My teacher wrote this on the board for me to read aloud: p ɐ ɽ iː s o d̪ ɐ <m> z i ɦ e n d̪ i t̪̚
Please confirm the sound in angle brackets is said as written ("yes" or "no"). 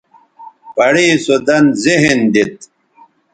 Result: no